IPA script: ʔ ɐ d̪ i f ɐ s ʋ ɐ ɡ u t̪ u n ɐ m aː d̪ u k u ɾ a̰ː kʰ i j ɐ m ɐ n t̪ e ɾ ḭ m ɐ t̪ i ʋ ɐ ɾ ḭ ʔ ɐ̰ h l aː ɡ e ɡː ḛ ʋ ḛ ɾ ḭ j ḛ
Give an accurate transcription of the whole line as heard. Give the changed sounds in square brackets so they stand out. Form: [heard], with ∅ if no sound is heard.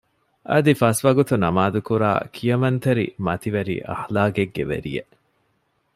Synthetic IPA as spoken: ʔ ɐ d̪ i f ɐ s ʋ ɐ ɡ u t̪ u n ɐ m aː d̪ u k u ɾ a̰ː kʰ i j ɐ m ɐ n t̪ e ɾ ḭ m ɐ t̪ i ʋ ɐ ɾ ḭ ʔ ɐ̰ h l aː ɡ e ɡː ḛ ʋ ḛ ɾ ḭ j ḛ

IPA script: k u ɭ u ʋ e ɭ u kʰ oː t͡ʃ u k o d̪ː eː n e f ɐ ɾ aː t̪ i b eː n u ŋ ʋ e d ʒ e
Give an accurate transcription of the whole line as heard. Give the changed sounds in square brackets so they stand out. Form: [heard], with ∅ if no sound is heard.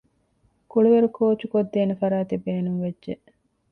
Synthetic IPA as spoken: k u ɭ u ʋ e [ɾ] u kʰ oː t͡ʃ u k o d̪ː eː n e f ɐ ɾ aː t̪ i b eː n u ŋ ʋ e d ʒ e

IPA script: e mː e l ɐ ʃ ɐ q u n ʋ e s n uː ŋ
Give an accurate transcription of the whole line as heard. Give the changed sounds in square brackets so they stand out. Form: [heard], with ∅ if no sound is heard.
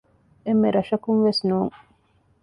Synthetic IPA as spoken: e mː e [ɾ] ɐ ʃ ɐ [k] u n ʋ e s n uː ŋ

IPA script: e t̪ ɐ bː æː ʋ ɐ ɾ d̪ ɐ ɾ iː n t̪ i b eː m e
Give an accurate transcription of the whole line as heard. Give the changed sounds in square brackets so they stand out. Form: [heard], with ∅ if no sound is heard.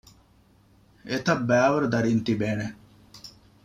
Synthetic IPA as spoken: e t̪ ɐ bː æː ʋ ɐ ɾ d̪ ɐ ɾ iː n t̪ i b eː [n] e

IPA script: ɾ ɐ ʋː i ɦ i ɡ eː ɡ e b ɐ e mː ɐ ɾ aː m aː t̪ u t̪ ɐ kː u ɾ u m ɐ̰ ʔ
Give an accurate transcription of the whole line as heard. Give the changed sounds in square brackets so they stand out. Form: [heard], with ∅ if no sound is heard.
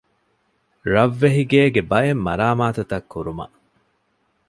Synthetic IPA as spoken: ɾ ɐ ʋː [e] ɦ i ɡ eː ɡ e b ɐ e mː ɐ ɾ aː m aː t̪ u t̪ ɐ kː u ɾ u m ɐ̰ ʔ

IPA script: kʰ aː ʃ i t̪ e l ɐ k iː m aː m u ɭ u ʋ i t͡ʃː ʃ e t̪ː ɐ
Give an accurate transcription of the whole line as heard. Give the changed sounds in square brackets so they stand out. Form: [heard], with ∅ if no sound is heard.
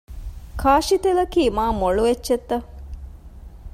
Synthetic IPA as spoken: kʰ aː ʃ i t̪ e l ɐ k iː m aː m [o] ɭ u ʋ [e] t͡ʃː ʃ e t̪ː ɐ

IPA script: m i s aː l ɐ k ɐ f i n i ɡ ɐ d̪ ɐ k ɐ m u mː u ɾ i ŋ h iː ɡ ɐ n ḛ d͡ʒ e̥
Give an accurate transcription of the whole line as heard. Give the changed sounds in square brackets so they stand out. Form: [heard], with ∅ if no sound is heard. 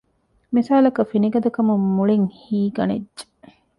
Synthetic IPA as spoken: m i s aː l ɐ k ɐ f i n i ɡ ɐ d̪ ɐ k ɐ m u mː u [ɭ] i ŋ h iː ɡ ɐ n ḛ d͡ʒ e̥

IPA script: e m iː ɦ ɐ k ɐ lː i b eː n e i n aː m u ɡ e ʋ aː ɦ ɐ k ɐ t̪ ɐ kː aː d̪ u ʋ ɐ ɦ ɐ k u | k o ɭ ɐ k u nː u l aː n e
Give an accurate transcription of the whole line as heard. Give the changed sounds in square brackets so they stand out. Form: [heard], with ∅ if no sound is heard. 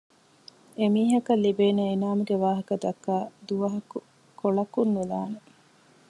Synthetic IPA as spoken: e m iː ɦ ɐ k ɐ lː i b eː n e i n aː m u ɡ e ʋ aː ɦ ɐ k ɐ [d̪] ɐ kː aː d̪ u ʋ ɐ ɦ ɐ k u | k o ɭ ɐ k u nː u l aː n e

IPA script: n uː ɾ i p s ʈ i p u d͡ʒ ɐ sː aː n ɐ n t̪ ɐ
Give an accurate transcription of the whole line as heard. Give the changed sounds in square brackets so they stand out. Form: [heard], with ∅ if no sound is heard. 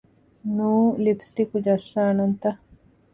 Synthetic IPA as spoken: n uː [l] i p s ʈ i [k] u d͡ʒ ɐ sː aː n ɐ n t̪ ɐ

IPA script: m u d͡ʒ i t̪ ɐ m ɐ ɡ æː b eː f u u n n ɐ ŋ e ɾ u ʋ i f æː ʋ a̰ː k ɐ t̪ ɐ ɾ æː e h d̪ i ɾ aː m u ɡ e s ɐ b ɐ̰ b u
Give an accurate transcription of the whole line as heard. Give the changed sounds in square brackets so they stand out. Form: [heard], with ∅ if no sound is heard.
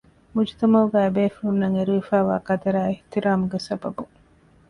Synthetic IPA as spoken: m u d͡ʒ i t̪ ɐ m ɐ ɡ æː b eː f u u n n ɐ ŋ e ɾ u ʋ i f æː ʋ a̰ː k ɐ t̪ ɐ ɾ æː e h [t̪] i ɾ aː m u ɡ e s ɐ b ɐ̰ b u

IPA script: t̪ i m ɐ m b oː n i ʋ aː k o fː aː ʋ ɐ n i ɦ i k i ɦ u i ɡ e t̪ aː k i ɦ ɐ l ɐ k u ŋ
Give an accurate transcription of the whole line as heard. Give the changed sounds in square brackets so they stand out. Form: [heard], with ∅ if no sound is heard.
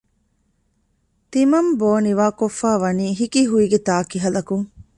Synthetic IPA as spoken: t̪ i m ɐ m b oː n i ʋ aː k o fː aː ʋ ɐ n [iː] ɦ i k i ɦ u i ɡ e t̪ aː k i ɦ ɐ l ɐ k u ŋ

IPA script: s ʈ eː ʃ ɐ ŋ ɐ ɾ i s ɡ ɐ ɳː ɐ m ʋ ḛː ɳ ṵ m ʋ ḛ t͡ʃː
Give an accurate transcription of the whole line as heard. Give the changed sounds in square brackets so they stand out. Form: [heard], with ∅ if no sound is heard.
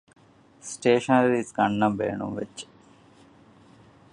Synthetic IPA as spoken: s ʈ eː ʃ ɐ [n] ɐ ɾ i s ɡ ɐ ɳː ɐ m ʋ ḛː ɳ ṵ m ʋ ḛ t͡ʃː

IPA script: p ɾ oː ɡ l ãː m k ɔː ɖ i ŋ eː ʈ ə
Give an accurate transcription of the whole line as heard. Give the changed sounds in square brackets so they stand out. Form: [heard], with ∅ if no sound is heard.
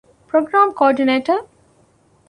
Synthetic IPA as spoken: p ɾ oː ɡ [ɾ] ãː m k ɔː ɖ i [n] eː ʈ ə

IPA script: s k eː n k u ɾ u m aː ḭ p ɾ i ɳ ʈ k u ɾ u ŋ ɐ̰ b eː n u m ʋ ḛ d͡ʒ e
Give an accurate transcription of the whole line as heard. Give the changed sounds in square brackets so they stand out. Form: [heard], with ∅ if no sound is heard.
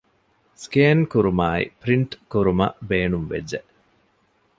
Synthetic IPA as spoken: s k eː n k u ɾ u m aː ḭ p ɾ i ɳ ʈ k u ɾ u [m] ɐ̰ b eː n u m ʋ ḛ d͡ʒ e

